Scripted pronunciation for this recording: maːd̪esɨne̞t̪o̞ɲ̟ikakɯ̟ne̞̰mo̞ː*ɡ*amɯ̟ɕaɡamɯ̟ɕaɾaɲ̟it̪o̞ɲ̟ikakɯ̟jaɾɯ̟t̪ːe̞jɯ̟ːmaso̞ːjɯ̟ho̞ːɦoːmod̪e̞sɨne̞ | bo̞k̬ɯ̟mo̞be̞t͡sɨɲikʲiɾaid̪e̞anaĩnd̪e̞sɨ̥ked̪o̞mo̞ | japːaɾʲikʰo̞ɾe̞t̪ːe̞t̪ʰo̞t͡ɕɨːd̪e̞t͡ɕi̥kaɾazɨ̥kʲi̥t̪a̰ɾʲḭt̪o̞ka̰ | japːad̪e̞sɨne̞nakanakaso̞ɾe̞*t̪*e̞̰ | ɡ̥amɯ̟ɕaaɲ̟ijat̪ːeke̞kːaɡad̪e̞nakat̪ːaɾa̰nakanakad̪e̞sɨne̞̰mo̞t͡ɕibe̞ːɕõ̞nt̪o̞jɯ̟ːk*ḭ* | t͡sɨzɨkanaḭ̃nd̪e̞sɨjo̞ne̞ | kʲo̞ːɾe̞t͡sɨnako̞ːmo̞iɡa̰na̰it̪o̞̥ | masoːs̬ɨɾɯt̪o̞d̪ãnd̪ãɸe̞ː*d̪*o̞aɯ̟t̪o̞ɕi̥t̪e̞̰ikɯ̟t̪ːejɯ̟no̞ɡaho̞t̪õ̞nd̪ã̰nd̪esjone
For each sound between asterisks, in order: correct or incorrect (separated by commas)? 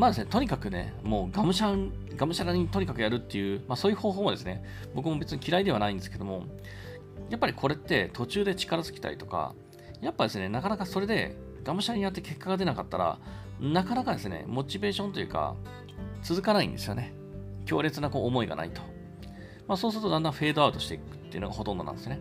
correct, incorrect, incorrect, correct